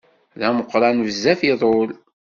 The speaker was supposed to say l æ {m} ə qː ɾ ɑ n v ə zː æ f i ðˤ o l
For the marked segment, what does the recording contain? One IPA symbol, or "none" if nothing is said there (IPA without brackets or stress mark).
m